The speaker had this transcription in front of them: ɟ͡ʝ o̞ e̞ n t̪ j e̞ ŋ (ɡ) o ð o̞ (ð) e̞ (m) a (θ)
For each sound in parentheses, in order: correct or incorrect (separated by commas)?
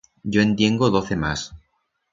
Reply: correct, incorrect, correct, incorrect